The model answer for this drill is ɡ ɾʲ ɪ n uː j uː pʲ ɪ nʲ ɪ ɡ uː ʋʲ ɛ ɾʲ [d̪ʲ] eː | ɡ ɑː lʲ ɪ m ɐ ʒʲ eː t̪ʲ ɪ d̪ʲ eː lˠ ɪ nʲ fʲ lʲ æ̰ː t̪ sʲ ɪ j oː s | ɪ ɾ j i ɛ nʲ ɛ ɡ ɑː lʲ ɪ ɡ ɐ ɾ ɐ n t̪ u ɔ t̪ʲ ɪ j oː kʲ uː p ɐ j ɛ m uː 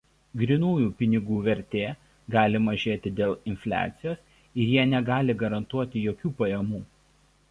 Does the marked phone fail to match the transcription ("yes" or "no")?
yes